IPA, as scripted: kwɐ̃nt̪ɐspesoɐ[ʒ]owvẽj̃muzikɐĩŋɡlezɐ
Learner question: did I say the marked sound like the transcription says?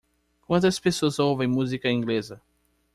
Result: no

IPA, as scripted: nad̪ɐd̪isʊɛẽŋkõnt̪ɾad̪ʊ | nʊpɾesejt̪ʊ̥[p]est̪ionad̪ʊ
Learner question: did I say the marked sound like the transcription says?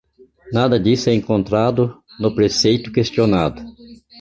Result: no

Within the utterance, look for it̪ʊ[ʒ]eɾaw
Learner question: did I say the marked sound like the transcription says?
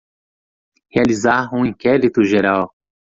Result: yes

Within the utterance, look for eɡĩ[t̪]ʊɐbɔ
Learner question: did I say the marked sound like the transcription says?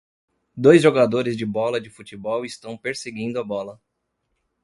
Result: no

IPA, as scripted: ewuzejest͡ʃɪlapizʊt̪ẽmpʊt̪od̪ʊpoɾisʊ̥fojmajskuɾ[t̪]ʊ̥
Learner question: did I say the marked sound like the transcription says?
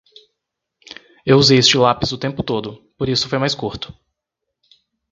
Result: yes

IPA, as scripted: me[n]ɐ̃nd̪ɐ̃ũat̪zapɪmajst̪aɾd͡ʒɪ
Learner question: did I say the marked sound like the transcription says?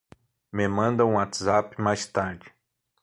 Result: no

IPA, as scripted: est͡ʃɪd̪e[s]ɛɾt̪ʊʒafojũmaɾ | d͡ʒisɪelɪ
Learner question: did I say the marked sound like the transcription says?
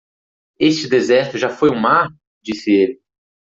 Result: no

